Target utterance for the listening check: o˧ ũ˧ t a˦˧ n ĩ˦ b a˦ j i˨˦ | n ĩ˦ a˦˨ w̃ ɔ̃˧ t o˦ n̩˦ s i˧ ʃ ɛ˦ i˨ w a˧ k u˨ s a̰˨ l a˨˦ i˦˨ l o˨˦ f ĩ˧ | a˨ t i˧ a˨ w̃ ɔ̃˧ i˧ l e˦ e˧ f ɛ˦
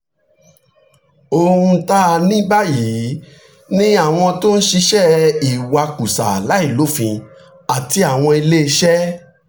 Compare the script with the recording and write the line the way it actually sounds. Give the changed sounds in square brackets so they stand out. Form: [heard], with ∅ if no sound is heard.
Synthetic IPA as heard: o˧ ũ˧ t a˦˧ n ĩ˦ b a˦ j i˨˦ | n ĩ˦ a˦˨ w̃ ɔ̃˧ t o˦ n̩˦ [ʃ] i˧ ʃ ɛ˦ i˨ w a˧ k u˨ s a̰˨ l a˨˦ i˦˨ l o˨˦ f ĩ˧ | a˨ t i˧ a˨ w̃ ɔ̃˧ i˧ l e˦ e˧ [ʃ] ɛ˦